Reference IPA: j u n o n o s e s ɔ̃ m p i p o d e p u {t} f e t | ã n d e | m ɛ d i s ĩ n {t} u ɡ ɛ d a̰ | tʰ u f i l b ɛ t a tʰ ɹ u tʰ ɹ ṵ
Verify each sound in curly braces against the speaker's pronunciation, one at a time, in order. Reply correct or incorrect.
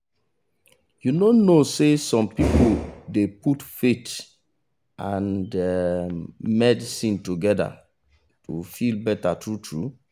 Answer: correct, correct

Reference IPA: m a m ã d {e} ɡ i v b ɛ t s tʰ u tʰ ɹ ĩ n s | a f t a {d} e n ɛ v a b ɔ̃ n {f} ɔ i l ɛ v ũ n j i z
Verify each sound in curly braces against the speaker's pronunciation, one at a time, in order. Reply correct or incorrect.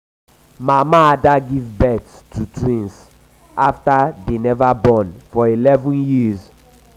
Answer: incorrect: a, correct, correct

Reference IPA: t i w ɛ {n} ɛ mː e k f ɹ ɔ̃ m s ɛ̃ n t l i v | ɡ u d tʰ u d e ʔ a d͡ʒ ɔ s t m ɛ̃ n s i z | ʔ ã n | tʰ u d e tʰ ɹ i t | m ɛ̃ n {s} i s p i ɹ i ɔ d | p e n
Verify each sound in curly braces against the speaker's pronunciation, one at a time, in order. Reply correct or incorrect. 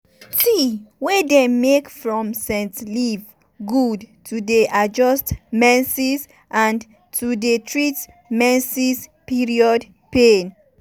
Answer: incorrect: d, correct

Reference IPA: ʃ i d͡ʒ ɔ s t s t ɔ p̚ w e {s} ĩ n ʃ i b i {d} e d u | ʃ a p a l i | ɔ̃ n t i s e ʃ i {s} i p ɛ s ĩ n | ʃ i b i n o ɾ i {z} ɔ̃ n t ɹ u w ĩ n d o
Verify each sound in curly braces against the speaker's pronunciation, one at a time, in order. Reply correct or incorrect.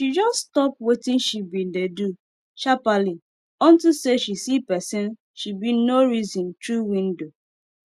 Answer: incorrect: t, correct, correct, correct

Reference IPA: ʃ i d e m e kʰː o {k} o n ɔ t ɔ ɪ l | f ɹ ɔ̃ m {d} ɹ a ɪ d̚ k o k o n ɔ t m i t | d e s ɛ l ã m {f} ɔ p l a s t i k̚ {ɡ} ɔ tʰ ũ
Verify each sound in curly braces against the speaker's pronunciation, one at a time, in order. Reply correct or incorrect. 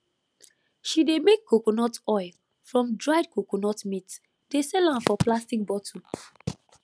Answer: correct, correct, correct, incorrect: b

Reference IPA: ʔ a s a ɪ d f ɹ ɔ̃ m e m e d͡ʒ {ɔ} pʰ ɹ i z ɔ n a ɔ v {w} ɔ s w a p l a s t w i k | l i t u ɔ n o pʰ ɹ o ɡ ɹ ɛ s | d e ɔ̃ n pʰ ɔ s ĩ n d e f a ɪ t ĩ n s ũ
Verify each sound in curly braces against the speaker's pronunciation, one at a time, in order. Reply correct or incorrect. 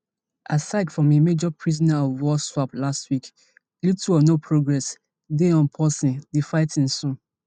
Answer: correct, correct

